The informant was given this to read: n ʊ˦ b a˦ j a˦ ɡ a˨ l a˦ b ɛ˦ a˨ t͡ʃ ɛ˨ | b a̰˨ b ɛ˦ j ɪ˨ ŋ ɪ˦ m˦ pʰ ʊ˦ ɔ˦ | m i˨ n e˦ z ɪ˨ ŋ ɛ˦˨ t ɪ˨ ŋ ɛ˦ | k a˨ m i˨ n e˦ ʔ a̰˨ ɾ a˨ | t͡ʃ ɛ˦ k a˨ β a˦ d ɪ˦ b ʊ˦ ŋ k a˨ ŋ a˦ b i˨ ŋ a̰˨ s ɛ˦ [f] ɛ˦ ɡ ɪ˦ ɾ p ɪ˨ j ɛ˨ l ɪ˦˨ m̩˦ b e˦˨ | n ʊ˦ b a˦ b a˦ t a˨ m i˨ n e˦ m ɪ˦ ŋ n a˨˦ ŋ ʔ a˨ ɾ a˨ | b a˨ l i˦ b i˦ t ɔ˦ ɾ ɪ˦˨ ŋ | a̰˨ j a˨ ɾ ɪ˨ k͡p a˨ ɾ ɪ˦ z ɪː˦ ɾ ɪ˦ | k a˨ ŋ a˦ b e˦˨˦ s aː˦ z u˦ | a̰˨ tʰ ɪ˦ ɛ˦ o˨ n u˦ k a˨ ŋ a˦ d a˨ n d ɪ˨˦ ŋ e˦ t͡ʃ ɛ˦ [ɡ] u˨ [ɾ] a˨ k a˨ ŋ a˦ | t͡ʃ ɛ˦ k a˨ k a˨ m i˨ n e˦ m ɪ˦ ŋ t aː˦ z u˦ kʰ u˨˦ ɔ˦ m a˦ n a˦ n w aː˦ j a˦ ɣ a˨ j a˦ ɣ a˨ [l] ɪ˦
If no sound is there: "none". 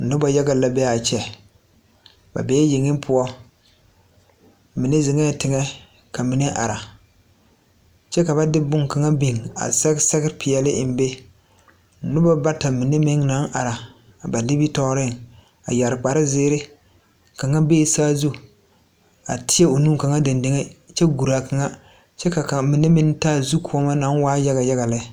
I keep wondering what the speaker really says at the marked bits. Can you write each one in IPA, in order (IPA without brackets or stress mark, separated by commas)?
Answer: s, ɡ, ɾ, l